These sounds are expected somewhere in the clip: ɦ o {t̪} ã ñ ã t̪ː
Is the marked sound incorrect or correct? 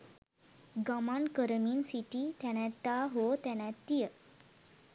correct